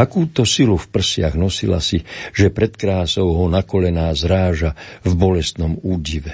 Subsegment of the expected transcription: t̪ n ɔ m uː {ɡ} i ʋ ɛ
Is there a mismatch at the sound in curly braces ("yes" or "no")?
yes